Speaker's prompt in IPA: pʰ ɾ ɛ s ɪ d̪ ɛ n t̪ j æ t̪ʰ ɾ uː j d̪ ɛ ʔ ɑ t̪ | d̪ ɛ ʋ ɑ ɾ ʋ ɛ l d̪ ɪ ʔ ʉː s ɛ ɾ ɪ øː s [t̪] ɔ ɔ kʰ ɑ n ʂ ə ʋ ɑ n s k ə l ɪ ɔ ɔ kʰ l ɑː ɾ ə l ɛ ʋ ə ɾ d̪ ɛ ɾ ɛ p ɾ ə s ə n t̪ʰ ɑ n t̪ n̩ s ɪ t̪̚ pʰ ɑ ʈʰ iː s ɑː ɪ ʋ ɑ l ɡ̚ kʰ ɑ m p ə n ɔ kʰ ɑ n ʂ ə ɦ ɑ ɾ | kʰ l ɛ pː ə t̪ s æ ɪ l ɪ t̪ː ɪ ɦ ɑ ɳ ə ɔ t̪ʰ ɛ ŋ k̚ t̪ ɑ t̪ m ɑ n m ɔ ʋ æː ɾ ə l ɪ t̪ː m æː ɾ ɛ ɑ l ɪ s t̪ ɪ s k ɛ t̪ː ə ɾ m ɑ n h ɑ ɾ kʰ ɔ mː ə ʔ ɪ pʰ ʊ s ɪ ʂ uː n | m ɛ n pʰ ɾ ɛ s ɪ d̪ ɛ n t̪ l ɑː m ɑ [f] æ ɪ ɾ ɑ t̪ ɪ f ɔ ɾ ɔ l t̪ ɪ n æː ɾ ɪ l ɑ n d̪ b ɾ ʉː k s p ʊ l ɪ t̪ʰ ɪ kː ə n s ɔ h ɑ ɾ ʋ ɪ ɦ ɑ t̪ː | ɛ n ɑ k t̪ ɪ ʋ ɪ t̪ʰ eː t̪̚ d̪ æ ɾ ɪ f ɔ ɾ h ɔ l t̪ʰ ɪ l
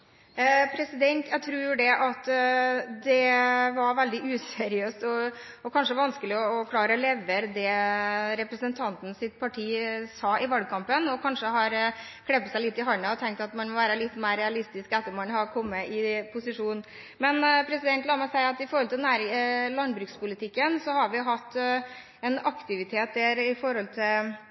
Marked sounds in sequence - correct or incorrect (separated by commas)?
correct, incorrect